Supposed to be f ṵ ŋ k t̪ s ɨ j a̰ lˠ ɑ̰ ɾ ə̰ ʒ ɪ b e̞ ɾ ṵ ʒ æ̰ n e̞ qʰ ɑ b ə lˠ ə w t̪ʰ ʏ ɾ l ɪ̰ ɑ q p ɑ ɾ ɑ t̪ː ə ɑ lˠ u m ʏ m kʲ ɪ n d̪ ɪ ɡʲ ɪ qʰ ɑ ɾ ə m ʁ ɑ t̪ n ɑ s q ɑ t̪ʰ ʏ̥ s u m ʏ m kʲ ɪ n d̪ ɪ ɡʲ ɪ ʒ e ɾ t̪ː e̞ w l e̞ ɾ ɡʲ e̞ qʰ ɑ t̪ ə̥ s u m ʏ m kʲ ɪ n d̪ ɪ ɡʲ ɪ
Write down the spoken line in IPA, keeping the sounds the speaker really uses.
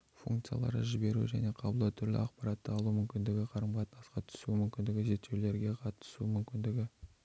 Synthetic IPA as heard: f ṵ ŋ k t̪ s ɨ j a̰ lˠ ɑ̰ ɾ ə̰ ʒ ɪ b e̞ ɾ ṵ ʒ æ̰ n e̞ qʰ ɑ b ə lˠ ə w t̪ʰ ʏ ɾ l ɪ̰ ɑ q p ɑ ɾ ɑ t̪ː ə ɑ lˠ u m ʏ m kʲ ɪ n d̪ ɪ ɡʲ ɪ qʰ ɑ ɾ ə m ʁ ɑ t̪ n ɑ s q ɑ t̪ʰ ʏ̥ s u m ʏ m kʲ ɪ n d̪ ɪ ɡʲ ɪ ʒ e ɾ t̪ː e̞ w l e̞ ɾ ɡʲ e̞ qʰ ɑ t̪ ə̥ s u m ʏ m kʲ ɪ n d̪ ɪ ɡʲ ɪ